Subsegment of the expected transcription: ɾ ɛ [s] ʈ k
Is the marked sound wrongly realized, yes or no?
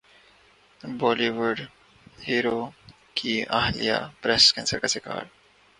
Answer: no